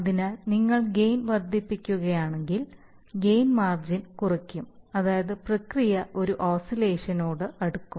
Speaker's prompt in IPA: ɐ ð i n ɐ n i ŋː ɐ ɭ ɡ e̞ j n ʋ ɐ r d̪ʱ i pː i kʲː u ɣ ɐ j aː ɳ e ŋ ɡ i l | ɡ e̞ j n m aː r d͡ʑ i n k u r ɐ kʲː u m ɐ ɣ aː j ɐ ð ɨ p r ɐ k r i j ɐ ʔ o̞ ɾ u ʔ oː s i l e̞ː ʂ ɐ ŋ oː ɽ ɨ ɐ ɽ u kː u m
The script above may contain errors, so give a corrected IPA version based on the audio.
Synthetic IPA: ɐ ð i n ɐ n i ŋː ɐ ɭ ɡ e̞ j n ʋ ɐ r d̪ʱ i pː i kʲː u ɣ ɐ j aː ɳ e ŋ ɡ i l | ɡ e̞ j n m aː r d͡ʑ i n k u r ɐ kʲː u m ɐ ð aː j ɐ ð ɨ p r ɐ k r i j ɐ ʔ o̞ ɾ u ʔ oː s i l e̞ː ʂ ɐ n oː ɽ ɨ ɐ ɽ u kː u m